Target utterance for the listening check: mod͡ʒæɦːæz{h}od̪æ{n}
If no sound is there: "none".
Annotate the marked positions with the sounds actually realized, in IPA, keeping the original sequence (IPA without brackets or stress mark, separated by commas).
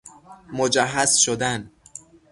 ʃ, n